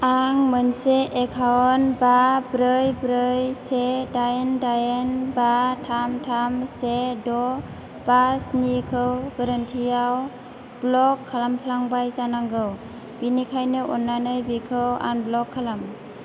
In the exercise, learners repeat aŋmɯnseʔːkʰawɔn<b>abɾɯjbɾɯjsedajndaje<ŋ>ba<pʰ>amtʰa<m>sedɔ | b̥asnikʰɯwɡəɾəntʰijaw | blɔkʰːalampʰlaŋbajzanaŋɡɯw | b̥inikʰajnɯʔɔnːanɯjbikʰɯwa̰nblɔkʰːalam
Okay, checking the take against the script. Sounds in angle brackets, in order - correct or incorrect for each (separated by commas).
correct, incorrect, incorrect, correct